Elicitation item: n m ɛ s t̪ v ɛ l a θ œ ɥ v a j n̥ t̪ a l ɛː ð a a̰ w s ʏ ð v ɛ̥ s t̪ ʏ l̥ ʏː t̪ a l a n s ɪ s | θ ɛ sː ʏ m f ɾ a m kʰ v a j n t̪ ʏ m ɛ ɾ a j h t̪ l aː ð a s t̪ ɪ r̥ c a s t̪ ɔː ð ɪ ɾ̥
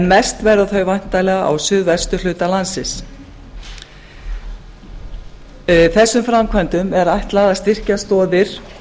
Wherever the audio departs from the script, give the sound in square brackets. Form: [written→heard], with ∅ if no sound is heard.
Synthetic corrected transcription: n m ɛ s t̪ v ɛ [l→ɾ] a θ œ ɥ v a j n̥ t̪ a l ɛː [ð→ɣ] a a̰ w s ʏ ð v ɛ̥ s t̪ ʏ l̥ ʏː t̪ a l a n s ɪ s | θ ɛ sː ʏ m f ɾ a m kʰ v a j n t̪ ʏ m ɛ ɾ a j h t̪ l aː ð a s t̪ ɪ r̥ c a s t̪ ɔː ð ɪ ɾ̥